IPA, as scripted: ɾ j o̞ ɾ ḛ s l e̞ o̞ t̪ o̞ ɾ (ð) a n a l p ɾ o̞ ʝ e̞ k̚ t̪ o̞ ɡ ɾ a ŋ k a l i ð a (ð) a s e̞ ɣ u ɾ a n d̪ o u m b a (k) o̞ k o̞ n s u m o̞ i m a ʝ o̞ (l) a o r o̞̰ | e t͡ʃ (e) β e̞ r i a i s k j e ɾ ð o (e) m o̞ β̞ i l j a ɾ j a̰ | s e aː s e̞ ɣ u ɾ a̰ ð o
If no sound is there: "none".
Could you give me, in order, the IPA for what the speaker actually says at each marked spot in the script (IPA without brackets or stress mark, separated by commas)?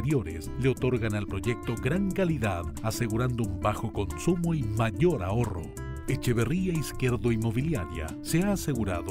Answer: ɣ, ð, x, ɾ, e, i